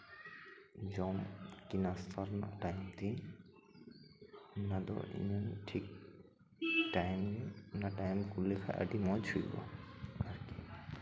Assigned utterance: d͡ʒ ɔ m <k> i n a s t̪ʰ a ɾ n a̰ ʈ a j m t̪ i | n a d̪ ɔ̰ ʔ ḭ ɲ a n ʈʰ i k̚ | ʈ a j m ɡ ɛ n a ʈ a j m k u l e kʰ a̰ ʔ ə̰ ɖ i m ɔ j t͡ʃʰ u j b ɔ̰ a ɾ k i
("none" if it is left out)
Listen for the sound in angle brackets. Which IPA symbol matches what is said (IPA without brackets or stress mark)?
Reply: k